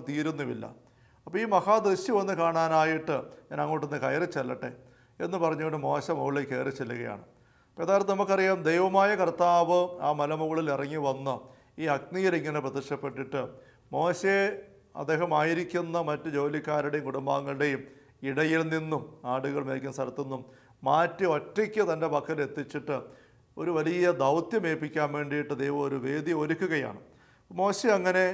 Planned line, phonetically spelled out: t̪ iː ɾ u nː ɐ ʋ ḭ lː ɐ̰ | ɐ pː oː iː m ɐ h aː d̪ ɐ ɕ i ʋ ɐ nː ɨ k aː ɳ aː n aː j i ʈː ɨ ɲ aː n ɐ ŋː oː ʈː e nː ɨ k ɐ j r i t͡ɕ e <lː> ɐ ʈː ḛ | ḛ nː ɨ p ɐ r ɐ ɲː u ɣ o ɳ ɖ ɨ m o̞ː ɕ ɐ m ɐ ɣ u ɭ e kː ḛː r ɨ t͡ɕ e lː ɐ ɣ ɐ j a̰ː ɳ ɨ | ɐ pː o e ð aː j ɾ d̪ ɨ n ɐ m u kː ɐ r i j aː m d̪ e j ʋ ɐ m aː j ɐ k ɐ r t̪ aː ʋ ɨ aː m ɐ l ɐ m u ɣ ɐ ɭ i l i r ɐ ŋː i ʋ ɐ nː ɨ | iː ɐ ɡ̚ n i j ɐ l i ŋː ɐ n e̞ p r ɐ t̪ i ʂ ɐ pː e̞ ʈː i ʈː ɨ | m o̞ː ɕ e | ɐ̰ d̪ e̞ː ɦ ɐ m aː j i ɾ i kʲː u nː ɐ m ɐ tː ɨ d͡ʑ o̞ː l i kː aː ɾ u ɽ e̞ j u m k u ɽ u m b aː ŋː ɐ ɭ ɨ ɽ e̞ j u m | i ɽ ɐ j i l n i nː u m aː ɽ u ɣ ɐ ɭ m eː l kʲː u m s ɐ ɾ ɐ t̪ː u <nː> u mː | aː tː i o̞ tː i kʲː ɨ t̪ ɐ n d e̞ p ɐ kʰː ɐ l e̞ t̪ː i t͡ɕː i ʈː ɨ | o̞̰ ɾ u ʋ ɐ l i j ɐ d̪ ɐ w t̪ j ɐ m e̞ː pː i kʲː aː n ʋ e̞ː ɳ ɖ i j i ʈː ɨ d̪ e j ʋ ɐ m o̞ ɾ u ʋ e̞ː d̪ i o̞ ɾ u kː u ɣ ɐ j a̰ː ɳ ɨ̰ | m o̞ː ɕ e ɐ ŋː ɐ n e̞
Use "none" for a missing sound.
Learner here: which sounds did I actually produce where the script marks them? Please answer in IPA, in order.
lː, nː

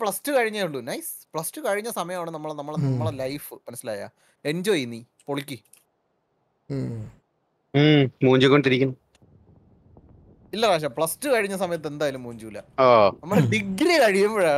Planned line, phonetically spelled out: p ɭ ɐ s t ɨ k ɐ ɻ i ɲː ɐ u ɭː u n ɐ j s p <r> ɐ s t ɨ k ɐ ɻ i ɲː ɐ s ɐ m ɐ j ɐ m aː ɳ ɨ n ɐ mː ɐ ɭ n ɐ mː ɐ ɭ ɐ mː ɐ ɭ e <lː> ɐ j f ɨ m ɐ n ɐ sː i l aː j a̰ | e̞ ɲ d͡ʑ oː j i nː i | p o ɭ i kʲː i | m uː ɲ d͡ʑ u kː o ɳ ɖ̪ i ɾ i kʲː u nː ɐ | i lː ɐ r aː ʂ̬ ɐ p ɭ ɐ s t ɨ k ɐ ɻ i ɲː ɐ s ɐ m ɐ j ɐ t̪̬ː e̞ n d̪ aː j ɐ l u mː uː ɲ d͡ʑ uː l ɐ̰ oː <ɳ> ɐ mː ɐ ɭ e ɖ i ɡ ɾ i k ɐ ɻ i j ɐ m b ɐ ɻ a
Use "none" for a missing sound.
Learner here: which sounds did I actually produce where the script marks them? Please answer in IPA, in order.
ɭ, l, n

